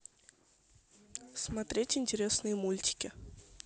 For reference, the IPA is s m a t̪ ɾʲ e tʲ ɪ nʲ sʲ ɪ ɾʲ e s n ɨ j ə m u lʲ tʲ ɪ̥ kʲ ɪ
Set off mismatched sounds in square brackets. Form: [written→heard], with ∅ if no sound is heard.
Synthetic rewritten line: s m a t̪ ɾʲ e tʲ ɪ nʲ [sʲ→tʲ] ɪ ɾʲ e s n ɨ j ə m u lʲ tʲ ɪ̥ kʲ ɪ